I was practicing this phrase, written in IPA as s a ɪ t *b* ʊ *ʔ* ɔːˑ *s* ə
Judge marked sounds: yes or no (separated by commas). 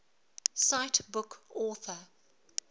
yes, no, no